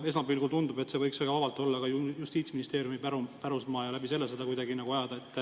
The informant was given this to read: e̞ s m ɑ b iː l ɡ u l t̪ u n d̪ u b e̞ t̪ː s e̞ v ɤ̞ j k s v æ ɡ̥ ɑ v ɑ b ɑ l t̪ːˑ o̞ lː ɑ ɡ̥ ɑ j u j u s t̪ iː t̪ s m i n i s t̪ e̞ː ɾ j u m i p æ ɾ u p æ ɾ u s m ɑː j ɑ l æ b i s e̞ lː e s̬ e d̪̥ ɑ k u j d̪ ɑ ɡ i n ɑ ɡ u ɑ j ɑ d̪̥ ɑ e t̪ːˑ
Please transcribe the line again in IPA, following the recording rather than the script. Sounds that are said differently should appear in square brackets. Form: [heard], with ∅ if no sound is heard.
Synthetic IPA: e̞ s m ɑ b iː l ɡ u l t̪ u n d̪ u b e̞ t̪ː s e̞ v ɤ̞ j k s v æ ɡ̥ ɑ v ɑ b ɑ l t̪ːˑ o̞ lː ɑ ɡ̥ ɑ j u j u s t̪ iː t̪ s m i n i s t̪ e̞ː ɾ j u m i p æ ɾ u p æ ɾ u s m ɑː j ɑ l æ b i s e̞ lː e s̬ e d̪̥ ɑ k u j d̪ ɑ ɡ i n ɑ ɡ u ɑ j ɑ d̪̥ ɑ e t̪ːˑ